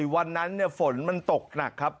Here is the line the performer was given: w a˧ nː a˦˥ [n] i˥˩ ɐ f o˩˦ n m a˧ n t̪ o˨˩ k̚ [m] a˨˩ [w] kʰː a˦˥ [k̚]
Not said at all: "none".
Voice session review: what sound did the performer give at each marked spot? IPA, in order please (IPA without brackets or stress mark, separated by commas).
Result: nː, n, none, p̚